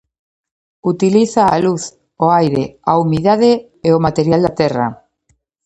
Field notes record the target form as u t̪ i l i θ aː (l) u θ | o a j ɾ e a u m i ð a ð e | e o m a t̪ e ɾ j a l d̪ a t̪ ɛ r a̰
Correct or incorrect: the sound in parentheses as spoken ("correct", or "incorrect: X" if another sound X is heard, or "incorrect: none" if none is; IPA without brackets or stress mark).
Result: correct